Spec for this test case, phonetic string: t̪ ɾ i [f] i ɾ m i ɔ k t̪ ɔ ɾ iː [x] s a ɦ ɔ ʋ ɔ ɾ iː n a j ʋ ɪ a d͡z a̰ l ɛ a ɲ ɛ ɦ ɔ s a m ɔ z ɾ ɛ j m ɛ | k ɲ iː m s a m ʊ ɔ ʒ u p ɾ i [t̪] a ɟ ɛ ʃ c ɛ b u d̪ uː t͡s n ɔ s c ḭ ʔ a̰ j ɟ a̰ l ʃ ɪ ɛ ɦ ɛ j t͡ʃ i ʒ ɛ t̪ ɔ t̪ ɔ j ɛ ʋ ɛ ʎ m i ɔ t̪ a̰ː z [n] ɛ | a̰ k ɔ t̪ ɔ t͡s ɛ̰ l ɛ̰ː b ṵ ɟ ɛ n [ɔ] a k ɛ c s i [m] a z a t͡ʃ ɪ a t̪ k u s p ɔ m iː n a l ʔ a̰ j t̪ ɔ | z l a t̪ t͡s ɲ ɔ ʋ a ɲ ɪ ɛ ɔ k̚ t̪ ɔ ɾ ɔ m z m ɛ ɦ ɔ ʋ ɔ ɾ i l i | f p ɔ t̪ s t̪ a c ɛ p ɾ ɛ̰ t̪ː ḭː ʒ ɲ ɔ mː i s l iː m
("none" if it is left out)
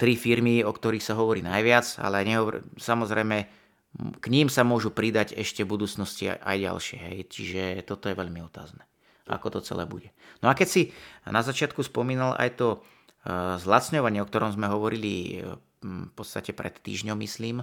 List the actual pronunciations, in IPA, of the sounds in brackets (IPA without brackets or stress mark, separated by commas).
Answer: f, x, d̪, n, ɔ, n